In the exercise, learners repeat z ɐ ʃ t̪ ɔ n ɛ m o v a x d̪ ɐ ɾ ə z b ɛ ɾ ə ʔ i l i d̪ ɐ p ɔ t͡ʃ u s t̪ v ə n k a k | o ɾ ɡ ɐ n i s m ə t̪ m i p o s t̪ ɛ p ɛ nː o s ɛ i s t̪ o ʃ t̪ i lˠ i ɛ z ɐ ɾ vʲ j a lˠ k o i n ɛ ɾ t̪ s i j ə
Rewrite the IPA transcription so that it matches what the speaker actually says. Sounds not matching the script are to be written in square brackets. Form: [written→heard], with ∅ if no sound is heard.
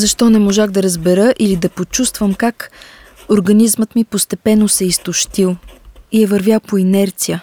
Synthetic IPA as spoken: z ɐ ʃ t̪ ɔ n ɛ m o [v→ʒ] a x d̪ ɐ ɾ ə z b ɛ ɾ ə ʔ i l i d̪ ɐ p [ɔ→o] t͡ʃ u s t̪ v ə [n→m] k a k | o ɾ ɡ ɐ n i [s→z] m ə t̪ m i p o s t̪ ɛ p ɛ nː o s ɛ i s t̪ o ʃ t̪ i lˠ i ɛ [z→v] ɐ ɾ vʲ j a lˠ [k→p] o i n ɛ ɾ t̪ s i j ə